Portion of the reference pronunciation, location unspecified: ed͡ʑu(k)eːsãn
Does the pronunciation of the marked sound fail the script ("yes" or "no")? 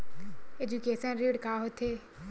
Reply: no